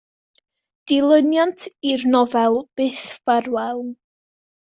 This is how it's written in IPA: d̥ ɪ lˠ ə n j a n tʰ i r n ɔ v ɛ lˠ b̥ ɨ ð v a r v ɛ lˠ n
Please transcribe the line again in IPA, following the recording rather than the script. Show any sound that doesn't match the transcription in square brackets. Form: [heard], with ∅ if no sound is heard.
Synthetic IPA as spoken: d̥ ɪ lˠ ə n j a n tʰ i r n ɔ v ɛ lˠ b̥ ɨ [θ] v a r [w] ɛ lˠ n